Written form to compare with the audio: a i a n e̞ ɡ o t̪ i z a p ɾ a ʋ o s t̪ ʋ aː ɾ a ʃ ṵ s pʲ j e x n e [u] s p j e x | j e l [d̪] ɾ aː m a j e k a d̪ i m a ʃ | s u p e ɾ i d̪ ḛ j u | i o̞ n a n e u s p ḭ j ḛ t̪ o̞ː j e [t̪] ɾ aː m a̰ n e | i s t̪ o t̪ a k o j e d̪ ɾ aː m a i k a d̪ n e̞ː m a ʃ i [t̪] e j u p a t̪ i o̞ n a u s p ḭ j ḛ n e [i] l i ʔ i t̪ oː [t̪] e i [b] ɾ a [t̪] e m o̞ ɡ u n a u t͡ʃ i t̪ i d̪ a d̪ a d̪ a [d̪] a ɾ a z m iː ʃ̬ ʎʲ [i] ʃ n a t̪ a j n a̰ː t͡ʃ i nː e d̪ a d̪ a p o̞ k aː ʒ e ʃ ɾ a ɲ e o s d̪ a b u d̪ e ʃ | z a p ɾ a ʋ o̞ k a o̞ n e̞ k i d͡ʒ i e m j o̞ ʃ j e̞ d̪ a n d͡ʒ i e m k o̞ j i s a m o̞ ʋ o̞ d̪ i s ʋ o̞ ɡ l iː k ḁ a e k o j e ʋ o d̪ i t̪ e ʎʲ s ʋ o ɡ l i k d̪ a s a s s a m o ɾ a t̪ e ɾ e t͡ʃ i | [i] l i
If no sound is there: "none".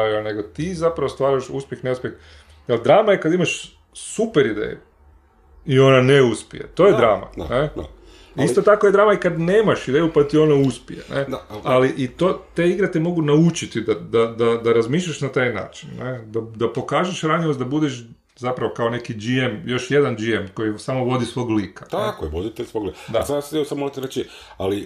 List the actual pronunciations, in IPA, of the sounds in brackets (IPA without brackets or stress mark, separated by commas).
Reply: u, d̪, d̪, d̪, a, t̪, ɡ, t̪, d̪, a, a